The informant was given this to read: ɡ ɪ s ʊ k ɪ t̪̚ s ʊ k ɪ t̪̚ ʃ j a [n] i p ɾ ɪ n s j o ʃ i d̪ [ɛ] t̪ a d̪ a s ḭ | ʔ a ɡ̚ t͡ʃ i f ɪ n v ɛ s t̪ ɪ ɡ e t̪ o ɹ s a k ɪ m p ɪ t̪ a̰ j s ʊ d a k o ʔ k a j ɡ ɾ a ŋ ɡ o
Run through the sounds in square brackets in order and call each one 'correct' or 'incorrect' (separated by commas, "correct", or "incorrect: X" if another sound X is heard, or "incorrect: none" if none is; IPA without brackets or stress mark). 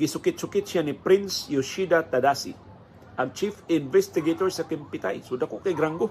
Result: correct, incorrect: a